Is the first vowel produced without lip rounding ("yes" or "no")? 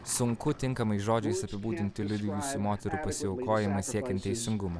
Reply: no